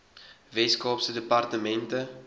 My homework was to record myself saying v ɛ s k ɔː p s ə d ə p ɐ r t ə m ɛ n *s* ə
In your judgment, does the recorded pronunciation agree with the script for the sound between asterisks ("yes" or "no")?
no